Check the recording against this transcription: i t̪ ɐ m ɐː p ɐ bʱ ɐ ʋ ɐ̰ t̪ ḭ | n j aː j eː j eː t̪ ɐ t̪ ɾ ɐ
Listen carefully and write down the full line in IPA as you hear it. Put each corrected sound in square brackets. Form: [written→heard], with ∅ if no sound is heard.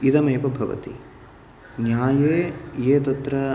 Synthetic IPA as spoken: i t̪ ɐ m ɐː p ɐ bʱ ɐ ʋ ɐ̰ t̪ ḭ | n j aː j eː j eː t̪ ɐ t̪ ɾ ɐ